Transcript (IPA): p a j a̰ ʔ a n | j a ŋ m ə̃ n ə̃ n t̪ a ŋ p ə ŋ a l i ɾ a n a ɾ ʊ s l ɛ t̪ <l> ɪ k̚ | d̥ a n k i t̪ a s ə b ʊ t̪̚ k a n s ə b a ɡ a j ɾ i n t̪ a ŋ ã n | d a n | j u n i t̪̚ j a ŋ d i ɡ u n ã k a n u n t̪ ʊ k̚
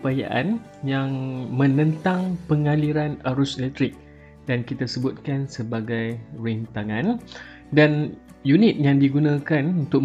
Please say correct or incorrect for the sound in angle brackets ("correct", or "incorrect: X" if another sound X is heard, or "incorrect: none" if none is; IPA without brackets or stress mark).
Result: incorrect: ɾ